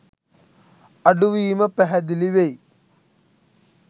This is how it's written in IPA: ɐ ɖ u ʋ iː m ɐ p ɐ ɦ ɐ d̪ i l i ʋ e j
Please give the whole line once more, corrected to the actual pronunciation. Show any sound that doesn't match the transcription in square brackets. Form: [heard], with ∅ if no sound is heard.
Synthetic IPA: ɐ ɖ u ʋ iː m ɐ p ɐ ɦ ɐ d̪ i l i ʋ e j

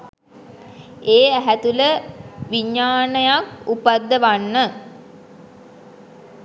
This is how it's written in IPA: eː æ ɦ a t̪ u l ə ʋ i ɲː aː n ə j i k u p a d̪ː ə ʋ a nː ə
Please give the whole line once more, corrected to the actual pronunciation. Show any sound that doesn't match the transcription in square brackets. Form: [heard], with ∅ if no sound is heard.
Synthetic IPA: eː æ ɦ [æ] t̪ u l ə ʋ i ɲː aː n ə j [a] k u p a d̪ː ə ʋ a nː ə

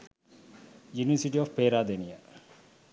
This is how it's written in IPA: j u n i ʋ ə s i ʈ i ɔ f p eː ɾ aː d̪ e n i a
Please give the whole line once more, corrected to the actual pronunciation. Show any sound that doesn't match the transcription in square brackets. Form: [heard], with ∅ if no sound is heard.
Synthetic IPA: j u n i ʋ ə s i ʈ i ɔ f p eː ɾ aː d̪ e n i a

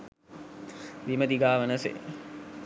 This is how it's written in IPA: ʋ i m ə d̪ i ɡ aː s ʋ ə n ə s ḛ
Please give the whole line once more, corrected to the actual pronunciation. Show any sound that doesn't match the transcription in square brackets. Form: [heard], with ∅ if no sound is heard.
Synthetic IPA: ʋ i m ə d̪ i ɡ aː [∅] ʋ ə n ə s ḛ

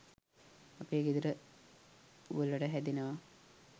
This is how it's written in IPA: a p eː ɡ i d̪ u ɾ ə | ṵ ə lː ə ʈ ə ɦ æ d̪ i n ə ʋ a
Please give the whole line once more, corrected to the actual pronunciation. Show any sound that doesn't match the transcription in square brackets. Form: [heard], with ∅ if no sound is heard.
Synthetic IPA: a p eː ɡ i d̪ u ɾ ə | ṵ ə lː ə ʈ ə ɦ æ d̪ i n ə ʋ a

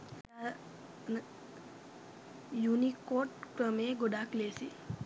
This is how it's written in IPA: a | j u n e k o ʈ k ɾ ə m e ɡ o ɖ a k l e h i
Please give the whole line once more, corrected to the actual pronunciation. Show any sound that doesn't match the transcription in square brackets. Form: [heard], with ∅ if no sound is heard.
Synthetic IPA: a | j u n [i] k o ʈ k ɾ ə m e ɡ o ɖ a k l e [s] i

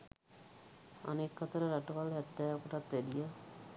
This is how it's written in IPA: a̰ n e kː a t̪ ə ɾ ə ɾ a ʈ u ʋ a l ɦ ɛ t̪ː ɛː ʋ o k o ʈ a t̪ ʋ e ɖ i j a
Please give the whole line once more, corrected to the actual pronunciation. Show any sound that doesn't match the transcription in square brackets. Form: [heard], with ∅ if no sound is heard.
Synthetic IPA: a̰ n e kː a t̪ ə ɾ ə ɾ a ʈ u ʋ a l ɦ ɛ t̪ː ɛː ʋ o k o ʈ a t̪ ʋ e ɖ i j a

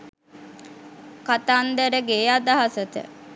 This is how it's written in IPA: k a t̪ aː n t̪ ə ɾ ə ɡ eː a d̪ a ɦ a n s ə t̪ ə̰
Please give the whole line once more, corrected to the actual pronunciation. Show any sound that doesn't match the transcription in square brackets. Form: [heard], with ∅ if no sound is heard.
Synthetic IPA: k a t̪ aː n [d̪] ə ɾ ə ɡ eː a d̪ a ɦ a [∅] s ə t̪ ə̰

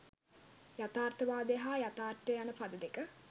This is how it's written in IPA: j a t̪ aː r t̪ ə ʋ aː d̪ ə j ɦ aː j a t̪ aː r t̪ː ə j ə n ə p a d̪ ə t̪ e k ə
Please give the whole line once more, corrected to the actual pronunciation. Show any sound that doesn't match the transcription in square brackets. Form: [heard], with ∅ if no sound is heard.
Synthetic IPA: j a t̪ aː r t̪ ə ʋ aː d̪ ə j ɦ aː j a t̪ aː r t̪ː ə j [a] n ə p a d̪ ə [d̪] e k ə

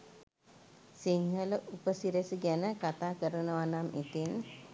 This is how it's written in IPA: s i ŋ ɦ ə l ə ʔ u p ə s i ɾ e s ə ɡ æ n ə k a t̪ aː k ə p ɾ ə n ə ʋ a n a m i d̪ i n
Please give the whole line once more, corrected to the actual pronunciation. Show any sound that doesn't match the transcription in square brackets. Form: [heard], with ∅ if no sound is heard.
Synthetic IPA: s i ŋ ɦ ə l ə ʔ u p ə s i ɾ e s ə ɡ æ n ə k a t̪ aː k ə [∅] ɾ ə n ə ʋ a n a m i [t̪] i n

